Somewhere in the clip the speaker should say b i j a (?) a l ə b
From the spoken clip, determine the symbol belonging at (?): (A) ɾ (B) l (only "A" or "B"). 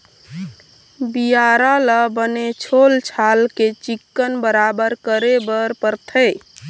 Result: A